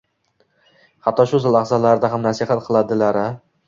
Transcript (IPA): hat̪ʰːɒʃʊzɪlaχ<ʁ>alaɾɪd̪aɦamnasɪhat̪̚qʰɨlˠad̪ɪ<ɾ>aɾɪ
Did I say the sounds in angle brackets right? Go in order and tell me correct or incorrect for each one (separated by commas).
incorrect, incorrect